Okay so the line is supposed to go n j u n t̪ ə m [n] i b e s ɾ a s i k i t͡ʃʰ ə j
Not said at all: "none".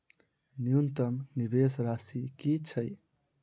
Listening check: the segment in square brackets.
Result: n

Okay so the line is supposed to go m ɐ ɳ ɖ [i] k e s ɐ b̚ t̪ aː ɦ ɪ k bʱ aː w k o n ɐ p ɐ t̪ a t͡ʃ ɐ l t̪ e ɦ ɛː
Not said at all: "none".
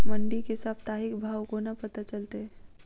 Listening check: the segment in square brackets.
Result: i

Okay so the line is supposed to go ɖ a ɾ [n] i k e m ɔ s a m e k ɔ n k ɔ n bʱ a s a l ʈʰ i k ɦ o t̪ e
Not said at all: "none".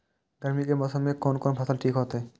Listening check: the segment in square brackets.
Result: m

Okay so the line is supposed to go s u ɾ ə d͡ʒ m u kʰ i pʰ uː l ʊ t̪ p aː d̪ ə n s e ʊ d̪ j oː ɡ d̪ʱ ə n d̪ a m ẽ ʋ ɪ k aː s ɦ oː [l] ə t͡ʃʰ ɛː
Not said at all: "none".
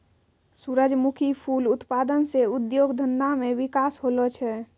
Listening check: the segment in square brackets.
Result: l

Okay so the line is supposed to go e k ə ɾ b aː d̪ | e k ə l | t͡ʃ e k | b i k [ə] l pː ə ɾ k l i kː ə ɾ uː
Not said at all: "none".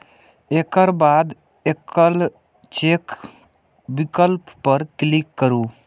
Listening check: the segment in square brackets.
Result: ə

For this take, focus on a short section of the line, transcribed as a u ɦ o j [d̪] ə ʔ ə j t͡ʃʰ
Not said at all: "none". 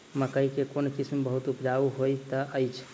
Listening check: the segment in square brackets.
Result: t̪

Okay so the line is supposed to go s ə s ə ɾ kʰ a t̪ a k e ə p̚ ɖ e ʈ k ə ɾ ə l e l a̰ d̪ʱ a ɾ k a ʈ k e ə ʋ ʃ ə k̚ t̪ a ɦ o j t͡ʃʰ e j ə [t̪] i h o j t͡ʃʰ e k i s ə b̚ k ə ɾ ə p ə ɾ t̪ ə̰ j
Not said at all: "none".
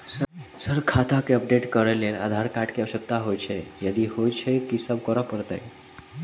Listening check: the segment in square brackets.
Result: d̪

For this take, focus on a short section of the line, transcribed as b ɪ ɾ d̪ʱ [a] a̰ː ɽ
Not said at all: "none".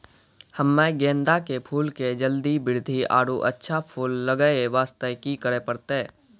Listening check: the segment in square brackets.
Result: i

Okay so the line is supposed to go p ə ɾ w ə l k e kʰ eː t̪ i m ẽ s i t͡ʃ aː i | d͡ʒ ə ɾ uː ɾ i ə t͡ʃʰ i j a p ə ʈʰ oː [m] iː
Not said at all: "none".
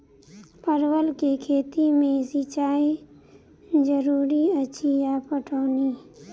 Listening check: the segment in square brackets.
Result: n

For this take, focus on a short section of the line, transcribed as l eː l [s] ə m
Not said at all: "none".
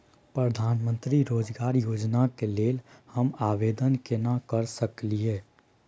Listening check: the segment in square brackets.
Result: h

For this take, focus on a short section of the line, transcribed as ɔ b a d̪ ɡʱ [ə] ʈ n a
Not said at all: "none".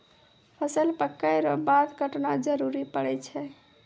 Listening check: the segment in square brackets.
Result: ə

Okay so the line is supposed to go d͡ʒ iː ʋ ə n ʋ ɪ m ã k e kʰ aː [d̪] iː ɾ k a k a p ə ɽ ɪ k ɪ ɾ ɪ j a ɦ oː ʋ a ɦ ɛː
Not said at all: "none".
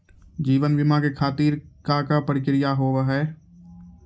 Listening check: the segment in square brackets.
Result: t̪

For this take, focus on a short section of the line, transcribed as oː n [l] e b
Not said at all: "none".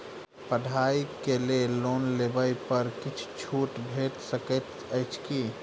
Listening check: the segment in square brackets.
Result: l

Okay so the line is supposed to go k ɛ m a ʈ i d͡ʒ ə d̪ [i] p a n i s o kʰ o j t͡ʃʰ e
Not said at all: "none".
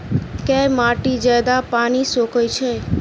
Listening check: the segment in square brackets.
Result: a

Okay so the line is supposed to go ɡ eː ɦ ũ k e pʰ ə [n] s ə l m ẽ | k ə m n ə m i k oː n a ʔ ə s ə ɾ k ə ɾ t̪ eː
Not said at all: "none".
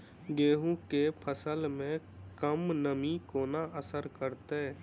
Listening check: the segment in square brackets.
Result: none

